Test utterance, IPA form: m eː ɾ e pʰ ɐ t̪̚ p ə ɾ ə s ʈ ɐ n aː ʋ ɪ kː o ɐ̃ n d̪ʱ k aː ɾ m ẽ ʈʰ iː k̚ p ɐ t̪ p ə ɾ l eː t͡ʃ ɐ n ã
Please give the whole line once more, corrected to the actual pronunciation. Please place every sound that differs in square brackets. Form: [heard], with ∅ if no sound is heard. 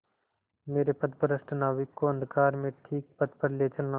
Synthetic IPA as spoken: m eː ɾ e [p] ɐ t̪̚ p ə ɾ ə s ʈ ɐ n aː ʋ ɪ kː o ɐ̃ n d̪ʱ k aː ɾ m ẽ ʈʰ iː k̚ p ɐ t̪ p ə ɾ l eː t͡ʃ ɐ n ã